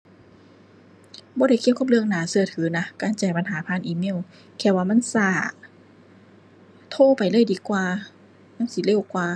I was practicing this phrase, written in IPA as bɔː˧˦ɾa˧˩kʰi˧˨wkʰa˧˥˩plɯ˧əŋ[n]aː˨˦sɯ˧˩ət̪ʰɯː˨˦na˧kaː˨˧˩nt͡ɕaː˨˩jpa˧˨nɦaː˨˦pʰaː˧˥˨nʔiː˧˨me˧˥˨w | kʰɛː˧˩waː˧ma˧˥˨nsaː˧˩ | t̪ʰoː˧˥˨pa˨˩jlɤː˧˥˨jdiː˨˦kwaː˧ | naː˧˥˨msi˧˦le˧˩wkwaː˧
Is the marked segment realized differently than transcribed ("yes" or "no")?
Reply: no